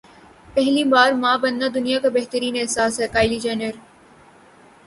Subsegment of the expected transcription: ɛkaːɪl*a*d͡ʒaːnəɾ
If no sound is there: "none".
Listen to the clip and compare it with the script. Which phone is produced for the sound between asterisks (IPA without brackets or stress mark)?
i